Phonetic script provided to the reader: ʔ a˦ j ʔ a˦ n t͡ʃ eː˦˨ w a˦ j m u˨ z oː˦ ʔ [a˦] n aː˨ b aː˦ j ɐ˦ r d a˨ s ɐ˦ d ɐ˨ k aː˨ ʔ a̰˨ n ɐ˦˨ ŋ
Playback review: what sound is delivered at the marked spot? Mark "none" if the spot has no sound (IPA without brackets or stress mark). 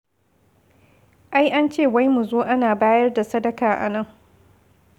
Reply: a˦